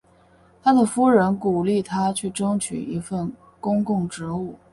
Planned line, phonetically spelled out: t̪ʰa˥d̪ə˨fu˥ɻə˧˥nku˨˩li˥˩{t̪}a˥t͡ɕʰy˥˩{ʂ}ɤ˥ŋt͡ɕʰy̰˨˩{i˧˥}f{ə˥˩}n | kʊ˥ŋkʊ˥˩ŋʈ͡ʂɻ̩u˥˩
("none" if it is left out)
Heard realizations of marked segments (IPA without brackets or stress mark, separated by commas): t̪ʰ, ʈ͡ʂ, i˧˥, ə˥˩